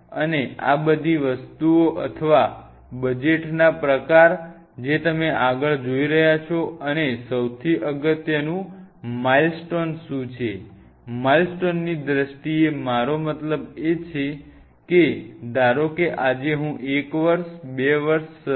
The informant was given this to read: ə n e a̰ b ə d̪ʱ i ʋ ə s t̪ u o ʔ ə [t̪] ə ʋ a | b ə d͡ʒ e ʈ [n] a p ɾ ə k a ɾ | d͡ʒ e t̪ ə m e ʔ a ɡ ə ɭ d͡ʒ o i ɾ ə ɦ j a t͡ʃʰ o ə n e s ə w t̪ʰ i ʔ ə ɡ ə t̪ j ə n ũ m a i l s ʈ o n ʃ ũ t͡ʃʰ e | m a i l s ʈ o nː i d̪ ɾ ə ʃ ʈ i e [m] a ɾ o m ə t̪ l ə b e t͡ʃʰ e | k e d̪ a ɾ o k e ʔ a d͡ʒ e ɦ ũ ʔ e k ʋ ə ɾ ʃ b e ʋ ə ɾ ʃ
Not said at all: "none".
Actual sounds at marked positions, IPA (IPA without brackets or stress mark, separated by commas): t̪ʰ, n, m